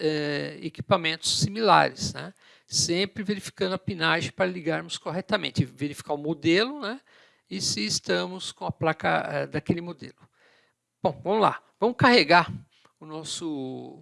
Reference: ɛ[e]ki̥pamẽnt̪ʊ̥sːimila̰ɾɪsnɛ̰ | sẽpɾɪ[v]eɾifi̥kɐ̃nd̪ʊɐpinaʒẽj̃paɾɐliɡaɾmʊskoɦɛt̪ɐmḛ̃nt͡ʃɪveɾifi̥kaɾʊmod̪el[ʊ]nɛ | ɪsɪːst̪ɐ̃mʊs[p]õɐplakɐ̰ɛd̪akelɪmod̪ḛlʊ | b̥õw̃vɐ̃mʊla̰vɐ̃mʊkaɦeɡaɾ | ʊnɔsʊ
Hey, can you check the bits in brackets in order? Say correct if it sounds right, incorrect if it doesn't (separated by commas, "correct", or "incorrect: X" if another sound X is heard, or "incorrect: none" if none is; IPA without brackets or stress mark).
correct, correct, correct, incorrect: k